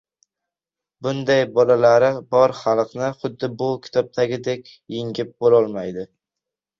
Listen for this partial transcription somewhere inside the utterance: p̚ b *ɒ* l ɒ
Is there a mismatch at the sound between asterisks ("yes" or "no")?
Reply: yes